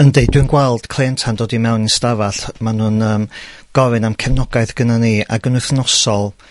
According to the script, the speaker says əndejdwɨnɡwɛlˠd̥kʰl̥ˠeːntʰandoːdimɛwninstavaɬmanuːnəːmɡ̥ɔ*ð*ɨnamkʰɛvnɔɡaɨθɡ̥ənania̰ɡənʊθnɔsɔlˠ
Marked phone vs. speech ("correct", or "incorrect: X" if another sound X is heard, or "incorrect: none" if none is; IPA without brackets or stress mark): incorrect: v